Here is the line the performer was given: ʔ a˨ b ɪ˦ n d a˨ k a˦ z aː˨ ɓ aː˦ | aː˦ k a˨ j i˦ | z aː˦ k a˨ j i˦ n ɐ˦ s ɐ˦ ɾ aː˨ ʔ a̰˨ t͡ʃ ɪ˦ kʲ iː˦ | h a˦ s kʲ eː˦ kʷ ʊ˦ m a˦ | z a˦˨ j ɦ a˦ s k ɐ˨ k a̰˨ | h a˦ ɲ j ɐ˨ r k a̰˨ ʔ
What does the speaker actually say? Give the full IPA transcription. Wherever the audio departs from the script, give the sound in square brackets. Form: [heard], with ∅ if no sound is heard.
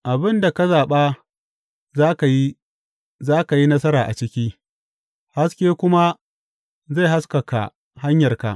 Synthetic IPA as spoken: ʔ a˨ b ɪ˦ n d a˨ k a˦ z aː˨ ɓ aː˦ | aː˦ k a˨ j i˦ | z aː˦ k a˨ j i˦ n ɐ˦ s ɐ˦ ɾ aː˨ ʔ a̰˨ t͡ʃ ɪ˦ kʲ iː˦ | h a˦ s kʲ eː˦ kʷ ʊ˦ m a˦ | z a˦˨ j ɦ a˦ s k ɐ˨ k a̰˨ | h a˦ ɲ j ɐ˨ r k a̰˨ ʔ